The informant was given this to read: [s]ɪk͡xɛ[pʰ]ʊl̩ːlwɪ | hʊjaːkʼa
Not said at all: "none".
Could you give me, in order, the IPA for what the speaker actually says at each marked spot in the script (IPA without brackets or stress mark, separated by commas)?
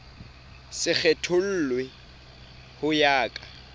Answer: s, tʰ